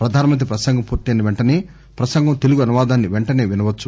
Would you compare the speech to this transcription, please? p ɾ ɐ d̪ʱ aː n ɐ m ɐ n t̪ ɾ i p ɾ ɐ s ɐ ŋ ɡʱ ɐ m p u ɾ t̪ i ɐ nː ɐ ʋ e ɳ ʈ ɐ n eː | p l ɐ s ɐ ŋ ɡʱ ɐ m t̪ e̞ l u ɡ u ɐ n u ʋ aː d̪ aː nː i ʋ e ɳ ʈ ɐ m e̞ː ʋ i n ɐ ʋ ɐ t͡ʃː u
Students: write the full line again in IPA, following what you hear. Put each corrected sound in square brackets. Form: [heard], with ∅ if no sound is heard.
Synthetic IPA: p ɾ ɐ d̪ʱ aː n ɐ m ɐ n t̪ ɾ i p ɾ ɐ s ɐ ŋ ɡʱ ɐ m p [uː] ɾ t̪ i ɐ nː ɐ ʋ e ɳ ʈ ɐ n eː | p [ɾ] ɐ s ɐ ŋ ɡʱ ɐ m t̪ e̞ l u ɡ u ɐ n u ʋ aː d̪ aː nː i ʋ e ɳ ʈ ɐ [n] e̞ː ʋ i n ɐ ʋ ɐ t͡ʃː u